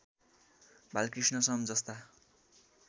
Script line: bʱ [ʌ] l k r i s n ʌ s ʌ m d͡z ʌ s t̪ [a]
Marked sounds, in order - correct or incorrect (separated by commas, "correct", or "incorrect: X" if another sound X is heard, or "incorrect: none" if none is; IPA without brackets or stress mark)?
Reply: incorrect: a, correct